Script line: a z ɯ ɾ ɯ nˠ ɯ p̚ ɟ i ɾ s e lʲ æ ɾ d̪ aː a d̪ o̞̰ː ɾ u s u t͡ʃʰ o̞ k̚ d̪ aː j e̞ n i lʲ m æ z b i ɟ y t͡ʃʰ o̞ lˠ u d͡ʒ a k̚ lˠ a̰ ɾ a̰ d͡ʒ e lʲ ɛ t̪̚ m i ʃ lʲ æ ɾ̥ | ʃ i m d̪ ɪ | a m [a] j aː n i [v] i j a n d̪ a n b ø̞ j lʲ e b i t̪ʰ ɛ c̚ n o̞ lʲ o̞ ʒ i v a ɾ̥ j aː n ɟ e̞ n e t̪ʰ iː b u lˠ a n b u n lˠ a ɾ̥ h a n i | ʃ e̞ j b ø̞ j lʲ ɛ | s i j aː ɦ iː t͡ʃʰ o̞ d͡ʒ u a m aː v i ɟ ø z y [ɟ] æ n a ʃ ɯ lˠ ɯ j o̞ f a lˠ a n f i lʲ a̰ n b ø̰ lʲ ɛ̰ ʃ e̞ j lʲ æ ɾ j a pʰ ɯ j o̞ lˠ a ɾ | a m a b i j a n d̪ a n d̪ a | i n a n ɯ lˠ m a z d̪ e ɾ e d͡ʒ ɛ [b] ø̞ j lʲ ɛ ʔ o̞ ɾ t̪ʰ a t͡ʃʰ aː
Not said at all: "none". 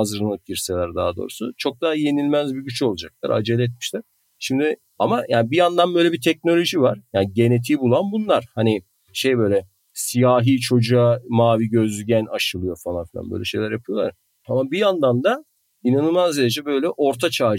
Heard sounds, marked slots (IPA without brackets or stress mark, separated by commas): a, b, ɟ, b